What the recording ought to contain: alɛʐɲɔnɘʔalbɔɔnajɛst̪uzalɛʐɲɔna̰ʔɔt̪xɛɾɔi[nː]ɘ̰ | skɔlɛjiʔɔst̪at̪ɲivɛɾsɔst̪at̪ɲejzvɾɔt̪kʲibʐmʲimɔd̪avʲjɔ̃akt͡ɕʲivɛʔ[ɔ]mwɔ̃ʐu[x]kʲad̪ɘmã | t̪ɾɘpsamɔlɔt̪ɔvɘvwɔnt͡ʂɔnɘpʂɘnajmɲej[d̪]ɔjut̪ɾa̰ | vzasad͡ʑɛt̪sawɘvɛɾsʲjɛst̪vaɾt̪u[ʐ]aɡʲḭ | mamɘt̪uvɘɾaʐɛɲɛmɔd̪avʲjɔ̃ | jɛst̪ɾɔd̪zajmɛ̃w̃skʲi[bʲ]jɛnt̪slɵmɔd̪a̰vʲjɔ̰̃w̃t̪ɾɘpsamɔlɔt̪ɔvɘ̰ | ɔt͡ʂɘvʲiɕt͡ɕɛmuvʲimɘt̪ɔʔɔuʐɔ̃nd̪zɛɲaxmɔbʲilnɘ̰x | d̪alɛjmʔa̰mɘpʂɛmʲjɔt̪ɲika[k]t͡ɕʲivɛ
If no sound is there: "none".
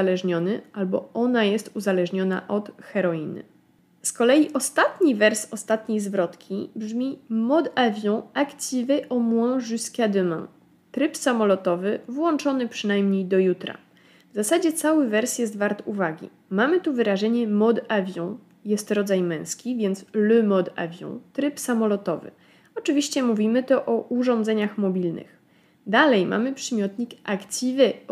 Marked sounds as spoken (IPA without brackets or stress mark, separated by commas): n, ɔ, s, d̪, v, vʲ, k